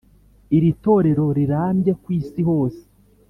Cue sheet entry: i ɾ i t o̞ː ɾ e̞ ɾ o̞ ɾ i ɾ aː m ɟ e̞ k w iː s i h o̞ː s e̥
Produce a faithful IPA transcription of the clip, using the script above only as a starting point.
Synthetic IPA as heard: i ɾ i t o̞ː ɾ e̞ ɾ o̞ ɾ i ɾ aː m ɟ e̞ k w iː s i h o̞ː s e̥